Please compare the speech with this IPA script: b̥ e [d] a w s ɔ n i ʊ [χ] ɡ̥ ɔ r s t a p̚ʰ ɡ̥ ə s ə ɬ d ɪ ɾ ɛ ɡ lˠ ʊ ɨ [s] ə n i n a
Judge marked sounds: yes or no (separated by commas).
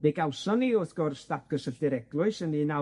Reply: no, no, yes